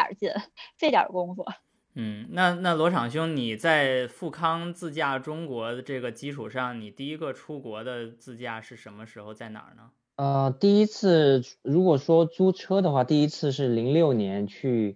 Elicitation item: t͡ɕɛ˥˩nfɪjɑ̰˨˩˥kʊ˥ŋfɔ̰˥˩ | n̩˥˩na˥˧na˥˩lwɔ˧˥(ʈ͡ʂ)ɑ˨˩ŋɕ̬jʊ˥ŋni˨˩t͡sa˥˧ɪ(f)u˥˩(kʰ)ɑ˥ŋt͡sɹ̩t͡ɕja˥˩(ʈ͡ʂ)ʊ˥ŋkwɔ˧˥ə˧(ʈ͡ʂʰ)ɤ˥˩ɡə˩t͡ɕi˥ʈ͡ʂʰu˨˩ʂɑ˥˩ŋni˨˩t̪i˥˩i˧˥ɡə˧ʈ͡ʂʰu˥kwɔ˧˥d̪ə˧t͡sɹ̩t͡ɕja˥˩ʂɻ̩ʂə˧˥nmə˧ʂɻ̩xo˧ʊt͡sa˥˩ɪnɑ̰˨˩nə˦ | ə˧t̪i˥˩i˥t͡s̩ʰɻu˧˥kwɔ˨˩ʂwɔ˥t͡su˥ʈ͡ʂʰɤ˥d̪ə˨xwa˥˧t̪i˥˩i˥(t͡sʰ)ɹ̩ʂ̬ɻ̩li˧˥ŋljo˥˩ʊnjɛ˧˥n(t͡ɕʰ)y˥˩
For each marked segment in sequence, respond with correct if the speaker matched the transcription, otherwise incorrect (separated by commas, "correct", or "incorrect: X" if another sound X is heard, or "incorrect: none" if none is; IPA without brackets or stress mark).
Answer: incorrect: ʈ͡ʂʰ, correct, correct, correct, incorrect: ʈ͡ʂ, correct, correct